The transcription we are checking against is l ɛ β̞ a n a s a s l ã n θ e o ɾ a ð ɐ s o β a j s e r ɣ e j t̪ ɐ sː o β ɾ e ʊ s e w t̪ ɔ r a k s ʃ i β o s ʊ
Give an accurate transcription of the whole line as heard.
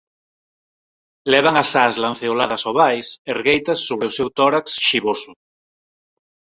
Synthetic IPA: l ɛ β̞ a ŋ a s a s l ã n θ e o l a ð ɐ s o β a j s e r ɣ e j t̪ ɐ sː o β ɾ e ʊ s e w t̪ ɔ ɾ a k s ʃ i β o s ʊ